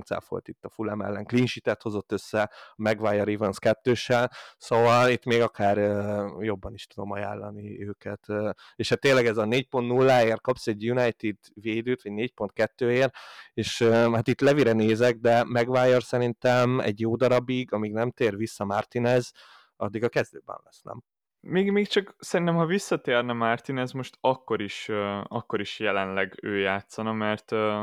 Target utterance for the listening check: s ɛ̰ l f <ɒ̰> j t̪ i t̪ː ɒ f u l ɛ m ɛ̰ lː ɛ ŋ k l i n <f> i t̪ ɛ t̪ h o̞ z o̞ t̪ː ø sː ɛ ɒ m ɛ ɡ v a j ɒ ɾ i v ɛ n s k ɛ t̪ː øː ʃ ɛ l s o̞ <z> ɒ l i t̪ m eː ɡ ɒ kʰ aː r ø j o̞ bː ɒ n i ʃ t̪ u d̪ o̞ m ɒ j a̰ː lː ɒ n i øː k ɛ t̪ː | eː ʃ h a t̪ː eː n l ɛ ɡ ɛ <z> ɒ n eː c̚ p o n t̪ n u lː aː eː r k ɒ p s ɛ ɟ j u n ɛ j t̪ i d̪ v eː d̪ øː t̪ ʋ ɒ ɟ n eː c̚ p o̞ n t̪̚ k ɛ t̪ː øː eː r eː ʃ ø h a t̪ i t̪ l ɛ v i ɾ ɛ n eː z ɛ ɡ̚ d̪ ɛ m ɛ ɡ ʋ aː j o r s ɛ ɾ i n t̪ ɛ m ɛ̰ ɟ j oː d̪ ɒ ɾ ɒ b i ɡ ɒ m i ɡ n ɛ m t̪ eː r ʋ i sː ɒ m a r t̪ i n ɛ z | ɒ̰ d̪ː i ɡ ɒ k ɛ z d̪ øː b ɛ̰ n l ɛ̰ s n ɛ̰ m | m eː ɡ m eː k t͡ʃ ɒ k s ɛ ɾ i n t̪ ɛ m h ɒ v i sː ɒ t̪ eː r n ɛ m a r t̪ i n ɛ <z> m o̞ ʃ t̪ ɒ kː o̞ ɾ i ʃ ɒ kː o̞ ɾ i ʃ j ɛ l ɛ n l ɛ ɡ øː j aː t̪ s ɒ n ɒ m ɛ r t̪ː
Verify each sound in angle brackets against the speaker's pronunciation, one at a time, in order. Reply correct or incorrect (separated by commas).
incorrect, incorrect, incorrect, correct, correct